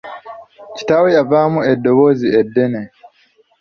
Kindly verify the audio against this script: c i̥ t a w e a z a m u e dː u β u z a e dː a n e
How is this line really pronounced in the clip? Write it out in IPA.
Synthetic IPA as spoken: c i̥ t a w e a v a m u e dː o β o z i e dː e n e